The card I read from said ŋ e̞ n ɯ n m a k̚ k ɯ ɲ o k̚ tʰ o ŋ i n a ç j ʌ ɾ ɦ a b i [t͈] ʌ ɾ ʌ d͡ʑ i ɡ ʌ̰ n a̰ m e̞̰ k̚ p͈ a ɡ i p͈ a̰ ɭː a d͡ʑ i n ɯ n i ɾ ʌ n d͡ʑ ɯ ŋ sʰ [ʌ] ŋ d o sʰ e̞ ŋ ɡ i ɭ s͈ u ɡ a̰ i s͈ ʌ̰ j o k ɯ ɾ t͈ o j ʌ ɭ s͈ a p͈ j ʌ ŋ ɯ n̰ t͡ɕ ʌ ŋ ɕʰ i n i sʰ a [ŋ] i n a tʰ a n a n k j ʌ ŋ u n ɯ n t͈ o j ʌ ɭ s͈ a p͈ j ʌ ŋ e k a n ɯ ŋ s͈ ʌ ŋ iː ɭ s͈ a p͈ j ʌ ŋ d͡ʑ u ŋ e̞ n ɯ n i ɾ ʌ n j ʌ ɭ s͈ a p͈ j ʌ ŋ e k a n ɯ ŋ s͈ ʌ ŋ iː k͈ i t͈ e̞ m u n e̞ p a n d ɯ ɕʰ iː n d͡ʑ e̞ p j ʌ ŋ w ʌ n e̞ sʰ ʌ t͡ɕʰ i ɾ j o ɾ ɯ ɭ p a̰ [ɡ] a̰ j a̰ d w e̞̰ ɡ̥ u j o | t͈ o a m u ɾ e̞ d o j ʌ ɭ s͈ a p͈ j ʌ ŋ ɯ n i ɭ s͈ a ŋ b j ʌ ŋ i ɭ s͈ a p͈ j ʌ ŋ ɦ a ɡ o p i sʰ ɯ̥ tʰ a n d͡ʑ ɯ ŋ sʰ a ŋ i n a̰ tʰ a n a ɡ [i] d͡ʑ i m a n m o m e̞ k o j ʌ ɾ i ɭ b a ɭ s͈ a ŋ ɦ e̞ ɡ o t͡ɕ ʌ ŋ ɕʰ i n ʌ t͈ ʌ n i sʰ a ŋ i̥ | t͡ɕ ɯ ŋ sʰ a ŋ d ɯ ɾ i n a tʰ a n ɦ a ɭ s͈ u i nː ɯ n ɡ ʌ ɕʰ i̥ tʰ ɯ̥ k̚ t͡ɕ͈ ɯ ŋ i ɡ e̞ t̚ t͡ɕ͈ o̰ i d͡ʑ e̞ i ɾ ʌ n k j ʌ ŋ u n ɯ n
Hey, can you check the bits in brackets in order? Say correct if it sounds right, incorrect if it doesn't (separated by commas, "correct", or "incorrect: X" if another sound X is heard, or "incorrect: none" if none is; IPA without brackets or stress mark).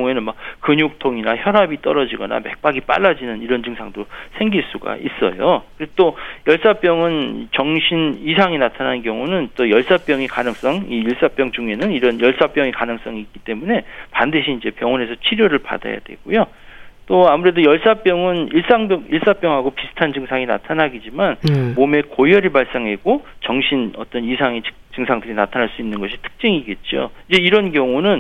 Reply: correct, incorrect: a, correct, incorrect: d, correct